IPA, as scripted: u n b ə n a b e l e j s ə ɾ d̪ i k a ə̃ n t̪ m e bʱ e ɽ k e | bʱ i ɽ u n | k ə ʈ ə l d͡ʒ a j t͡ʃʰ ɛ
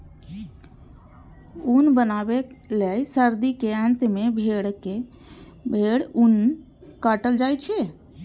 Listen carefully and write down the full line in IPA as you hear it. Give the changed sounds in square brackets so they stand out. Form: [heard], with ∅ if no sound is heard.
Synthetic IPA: u n b ə n a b e l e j s ə ɾ d̪ i k [e] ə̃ n t̪ m e bʱ e ɽ k e | bʱ [e] ɽ u n | k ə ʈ ə l d͡ʒ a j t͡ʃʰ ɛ